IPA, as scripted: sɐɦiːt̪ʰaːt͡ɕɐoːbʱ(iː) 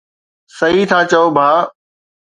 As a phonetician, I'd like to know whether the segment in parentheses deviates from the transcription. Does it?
yes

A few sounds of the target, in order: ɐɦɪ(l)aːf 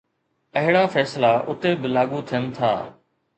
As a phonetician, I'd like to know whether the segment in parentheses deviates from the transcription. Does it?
yes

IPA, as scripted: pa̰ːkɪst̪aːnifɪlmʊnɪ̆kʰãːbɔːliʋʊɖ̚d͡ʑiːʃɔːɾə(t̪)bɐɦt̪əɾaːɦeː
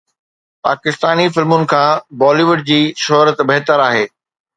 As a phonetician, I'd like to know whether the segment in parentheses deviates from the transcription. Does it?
no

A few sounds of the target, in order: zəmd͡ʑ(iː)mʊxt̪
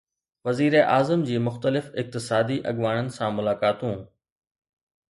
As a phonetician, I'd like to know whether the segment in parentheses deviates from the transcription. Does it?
no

